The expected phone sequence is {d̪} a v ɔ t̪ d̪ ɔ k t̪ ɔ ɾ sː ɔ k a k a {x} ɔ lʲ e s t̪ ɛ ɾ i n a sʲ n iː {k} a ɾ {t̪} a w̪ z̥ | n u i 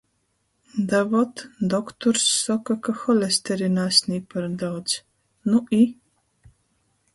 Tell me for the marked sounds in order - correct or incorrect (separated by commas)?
correct, correct, incorrect, incorrect